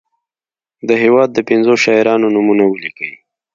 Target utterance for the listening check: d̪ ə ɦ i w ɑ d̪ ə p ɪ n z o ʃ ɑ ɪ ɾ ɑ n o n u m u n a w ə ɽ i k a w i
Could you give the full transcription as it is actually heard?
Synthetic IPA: d̪ ə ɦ e w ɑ d̪ː ə p ɪ n z o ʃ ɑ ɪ ɾ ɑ n o n u m u n a w ə l i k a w i